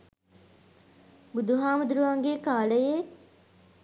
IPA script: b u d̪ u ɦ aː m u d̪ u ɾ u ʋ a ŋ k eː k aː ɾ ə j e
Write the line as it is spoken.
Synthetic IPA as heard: b u d̪ u ɦ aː m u d̪ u ɾ u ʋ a ŋ ɡ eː k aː l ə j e